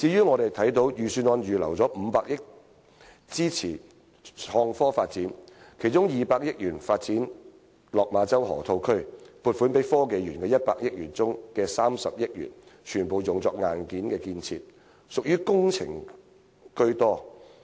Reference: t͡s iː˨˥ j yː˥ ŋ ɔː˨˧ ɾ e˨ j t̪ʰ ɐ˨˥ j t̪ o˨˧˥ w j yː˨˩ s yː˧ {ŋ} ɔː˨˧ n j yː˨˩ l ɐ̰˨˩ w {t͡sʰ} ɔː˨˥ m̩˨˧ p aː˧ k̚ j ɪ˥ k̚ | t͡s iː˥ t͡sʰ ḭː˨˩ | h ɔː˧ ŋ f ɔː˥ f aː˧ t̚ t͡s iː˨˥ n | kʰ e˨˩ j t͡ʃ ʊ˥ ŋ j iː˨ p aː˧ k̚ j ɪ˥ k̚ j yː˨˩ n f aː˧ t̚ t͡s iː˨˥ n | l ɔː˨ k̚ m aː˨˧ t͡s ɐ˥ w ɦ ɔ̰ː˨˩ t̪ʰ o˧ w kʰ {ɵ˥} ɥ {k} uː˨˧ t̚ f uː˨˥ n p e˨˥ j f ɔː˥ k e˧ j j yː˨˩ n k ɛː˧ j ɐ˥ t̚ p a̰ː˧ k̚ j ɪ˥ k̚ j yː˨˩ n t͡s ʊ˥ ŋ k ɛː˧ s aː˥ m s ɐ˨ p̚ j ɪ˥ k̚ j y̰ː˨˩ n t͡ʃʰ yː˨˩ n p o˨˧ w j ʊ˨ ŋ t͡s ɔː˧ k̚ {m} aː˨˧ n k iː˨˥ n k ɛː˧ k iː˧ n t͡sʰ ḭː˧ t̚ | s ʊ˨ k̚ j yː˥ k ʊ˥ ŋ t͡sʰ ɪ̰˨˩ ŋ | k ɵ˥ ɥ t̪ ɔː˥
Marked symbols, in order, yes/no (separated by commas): no, no, yes, no, no